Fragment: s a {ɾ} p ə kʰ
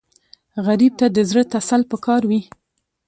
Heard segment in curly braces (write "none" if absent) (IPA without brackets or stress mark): l